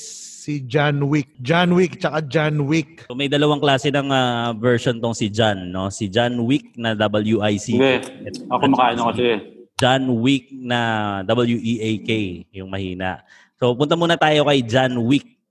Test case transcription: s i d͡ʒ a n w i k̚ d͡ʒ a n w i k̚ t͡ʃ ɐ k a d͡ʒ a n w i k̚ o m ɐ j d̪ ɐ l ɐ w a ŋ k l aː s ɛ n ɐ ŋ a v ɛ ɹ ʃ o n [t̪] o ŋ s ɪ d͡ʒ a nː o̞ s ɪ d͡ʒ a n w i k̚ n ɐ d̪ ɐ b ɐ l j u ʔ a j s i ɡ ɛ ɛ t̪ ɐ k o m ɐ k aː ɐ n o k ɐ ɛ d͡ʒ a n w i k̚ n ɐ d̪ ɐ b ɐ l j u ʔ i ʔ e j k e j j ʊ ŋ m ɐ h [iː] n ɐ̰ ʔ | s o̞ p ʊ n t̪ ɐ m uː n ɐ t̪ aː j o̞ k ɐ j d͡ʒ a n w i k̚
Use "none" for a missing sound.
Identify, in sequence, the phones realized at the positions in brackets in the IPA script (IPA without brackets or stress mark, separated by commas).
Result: t̪, iː